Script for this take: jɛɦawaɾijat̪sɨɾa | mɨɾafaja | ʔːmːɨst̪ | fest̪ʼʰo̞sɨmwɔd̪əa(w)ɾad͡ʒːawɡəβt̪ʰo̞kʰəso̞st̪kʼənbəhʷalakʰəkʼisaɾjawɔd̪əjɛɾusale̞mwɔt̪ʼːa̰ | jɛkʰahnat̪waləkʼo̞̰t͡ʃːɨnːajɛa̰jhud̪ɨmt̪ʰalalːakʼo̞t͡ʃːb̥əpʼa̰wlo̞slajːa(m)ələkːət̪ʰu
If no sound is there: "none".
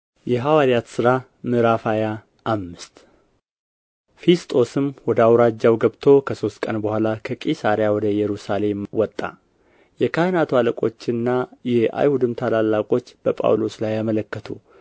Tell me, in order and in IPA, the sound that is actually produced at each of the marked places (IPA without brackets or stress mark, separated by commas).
w, m